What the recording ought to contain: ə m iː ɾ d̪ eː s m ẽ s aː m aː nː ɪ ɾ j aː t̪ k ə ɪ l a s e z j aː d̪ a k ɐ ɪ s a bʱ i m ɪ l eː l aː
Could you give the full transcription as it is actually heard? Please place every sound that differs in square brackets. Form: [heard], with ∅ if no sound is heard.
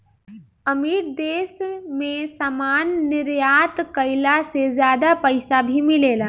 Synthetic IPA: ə m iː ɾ d̪ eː s m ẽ s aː m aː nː ɪ ɾ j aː t̪ k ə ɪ l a s e z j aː d̪ a [p] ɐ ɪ s a bʱ i m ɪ l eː l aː